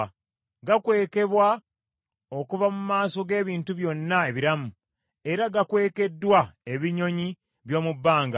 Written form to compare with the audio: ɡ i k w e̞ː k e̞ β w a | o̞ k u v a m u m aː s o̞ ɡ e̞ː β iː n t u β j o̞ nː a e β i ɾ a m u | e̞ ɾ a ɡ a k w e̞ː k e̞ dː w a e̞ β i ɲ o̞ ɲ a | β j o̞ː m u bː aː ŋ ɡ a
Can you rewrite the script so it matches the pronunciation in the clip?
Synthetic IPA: ɡ a k w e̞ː k e̞ β w a | o̞ k u v a m u m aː s o̞ ɡ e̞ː β iː n t u β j o̞ nː a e β i ɾ a m u | e̞ ɾ a ɡ a k w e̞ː k e̞ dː w a e̞ β i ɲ o̞ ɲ i | β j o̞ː m u bː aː ŋ ɡ a

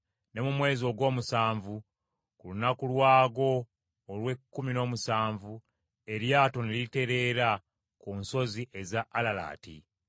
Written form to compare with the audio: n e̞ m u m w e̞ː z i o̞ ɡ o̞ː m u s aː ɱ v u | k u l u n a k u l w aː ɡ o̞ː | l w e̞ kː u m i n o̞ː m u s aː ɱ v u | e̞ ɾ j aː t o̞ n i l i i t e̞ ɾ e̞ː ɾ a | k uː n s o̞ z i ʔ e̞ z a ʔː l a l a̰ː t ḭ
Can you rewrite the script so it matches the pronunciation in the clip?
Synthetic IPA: n e̞ m u m w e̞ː z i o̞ ɡ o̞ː m u s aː ɱ v u | k u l u n a k u l w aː ɡ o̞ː | l w e̞ kː u m i n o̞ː m u s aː ɱ v u | e̞ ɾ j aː t o̞ n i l i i t e̞ ɾ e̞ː ɾ a | k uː n s o̞ z i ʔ e̞ z a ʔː l a l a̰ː t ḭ

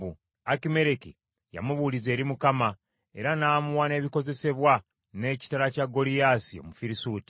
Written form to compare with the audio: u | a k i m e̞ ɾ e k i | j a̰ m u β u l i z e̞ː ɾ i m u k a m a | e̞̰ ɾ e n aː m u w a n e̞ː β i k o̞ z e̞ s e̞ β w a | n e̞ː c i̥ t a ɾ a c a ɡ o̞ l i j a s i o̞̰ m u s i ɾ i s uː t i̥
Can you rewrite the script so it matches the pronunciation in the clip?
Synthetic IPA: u | a k i m e̞ ɾ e k i | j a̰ m u β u l i z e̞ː ɾ i m u k a m a | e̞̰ ɾ a n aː m u w a n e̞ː β i k o̞ z e̞ s e̞ β w a | n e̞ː c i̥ t a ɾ a c a ɡ o̞ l i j a s i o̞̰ m u f i ɾ i s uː t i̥

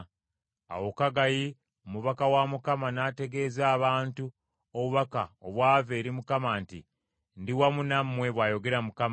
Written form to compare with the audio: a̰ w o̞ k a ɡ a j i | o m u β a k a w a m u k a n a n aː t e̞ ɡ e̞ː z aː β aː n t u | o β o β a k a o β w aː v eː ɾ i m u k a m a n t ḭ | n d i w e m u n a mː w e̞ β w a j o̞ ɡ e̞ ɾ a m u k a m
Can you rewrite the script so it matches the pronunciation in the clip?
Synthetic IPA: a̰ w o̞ k a ɡ a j i | o m u β a k a w a m u k a m a n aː t e̞ ɡ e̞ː z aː β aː n t u | o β u β a k a o β w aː v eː ɾ i m u k a m a n t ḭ | n d i w a m u n a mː w e̞ β w a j o̞ ɡ e̞ ɾ a m u k a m

